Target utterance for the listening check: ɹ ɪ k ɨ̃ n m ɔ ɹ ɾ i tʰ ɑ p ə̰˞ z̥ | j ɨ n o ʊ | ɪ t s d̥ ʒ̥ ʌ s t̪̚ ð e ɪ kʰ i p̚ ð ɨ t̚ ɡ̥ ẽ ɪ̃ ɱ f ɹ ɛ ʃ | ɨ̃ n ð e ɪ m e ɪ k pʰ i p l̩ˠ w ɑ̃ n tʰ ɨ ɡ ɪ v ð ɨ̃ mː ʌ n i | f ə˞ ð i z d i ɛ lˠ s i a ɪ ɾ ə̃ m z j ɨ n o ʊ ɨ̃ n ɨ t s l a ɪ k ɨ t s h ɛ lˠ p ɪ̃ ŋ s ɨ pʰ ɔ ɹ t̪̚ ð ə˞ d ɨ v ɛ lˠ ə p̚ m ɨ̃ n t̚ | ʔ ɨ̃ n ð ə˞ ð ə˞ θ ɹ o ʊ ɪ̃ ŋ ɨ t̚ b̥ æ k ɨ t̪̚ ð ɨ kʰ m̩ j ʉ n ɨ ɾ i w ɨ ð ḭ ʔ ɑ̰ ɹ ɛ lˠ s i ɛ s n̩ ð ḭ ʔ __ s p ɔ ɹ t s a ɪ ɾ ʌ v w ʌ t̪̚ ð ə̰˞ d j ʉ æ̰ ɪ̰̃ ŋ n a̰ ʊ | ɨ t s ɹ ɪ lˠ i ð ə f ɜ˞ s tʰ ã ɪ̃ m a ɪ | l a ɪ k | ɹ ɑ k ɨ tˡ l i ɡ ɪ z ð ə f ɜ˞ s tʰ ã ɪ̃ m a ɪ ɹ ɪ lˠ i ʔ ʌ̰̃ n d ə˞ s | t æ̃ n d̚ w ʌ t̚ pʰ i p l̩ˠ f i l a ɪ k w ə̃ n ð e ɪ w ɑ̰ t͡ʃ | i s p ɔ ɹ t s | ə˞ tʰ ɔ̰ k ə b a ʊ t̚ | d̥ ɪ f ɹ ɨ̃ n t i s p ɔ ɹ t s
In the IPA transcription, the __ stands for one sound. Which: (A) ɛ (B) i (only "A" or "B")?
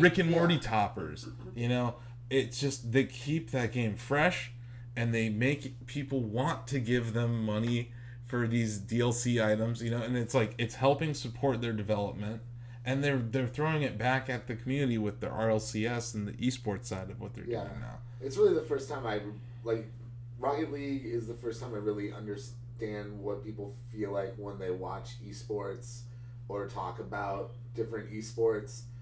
B